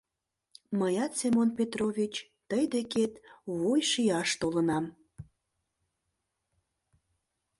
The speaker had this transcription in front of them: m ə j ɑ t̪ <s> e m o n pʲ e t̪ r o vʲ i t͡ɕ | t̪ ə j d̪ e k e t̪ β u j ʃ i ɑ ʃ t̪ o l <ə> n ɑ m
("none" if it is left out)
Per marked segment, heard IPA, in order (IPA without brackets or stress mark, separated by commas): s, ə